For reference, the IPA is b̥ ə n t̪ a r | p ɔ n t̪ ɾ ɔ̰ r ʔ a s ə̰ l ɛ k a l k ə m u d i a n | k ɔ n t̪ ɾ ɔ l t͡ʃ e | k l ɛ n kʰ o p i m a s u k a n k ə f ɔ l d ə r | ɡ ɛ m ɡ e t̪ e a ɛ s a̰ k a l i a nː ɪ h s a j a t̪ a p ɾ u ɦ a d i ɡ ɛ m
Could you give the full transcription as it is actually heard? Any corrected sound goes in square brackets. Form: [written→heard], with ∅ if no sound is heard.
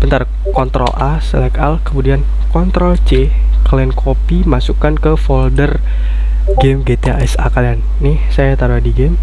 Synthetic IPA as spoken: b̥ ə n t̪ a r | [p→k] ɔ n t̪ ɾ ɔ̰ [r→l] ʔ a s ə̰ l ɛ k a l k ə m u d i a n | k ɔ n t̪ ɾ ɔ l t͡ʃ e | k l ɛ n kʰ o p i m a s u k a n k ə f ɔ l d ə r | ɡ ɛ m ɡ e t̪ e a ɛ s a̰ k a l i a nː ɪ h s a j a t̪ a [p→∅] ɾ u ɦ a d i ɡ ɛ m

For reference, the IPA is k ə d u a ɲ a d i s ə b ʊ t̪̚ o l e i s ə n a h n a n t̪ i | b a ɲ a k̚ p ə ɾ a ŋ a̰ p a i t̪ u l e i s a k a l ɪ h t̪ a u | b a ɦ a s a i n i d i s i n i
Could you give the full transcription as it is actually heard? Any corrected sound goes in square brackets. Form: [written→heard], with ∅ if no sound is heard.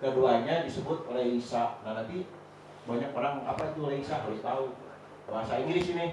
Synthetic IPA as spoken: k ə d u a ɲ a d i s ə b ʊ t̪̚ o l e i s [ə→a] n a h n a n t̪ i | b a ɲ a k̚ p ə ɾ a ŋ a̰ p a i t̪ u l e i s a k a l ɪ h t̪ a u | b a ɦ a s a i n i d i s i n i

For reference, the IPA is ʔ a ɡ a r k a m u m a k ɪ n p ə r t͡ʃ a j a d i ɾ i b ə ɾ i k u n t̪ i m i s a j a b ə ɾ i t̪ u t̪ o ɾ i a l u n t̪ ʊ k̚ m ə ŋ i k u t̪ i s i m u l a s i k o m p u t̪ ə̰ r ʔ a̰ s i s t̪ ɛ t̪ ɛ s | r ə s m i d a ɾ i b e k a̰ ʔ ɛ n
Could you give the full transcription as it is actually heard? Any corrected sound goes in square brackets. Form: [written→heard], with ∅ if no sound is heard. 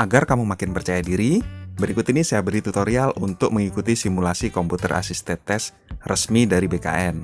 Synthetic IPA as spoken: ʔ a ɡ a r k a m u m a k ɪ n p ə r t͡ʃ a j a d i ɾ i b ə ɾ i k u [n→∅] t̪ i [m→n] i s a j a b ə ɾ i t̪ u t̪ o ɾ i a l u n t̪ ʊ k̚ m ə ŋ i k u t̪ i s i m u l a s i k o m p u t̪ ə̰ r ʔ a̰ s i s t̪ ɛ t̪ ɛ s | r ə s m i d a ɾ i b e k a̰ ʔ ɛ n

